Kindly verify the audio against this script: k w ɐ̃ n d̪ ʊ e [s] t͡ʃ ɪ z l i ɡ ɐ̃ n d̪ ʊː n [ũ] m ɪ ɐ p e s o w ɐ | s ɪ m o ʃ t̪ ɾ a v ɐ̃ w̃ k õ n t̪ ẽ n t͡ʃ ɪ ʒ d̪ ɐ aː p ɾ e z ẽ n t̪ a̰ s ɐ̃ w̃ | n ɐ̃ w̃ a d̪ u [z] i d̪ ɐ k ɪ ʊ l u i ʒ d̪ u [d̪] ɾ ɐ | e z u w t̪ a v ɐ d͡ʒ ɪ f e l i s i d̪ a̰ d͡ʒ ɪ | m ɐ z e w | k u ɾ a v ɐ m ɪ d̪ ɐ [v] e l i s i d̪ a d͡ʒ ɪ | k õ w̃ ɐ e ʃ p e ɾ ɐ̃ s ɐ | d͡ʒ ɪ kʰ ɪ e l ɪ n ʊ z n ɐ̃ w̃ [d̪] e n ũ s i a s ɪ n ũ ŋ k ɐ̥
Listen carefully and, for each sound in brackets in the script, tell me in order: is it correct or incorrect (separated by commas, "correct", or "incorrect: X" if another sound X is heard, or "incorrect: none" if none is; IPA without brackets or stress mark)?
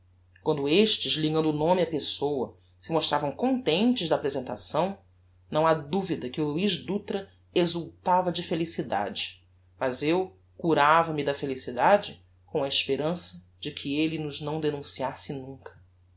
incorrect: ʃ, incorrect: õ, incorrect: v, incorrect: t̪, incorrect: f, correct